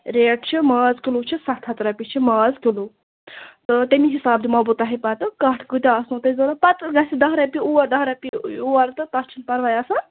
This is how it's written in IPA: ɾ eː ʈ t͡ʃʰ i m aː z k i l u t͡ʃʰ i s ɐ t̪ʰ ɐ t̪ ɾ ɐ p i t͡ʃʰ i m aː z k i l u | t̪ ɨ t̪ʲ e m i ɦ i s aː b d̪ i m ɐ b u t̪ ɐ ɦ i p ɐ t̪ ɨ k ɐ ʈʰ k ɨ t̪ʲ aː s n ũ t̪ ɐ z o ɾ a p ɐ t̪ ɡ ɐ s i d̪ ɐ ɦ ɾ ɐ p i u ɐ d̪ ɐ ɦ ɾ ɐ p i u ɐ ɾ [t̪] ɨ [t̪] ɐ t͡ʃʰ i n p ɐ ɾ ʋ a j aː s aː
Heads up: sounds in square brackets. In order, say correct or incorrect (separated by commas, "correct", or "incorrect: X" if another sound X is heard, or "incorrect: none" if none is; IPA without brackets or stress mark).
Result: correct, correct